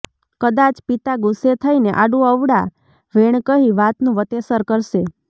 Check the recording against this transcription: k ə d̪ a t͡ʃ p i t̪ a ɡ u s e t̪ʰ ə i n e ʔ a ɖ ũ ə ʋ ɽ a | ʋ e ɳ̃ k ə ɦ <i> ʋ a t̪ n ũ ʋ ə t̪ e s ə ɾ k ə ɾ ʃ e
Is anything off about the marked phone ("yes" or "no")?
no